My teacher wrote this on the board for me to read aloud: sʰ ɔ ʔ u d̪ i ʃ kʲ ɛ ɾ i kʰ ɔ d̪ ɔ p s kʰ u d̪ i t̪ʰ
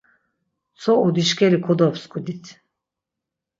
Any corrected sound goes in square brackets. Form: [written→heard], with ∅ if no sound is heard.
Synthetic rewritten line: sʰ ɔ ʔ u d̪ i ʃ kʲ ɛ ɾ i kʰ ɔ d̪ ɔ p s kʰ u d̪ i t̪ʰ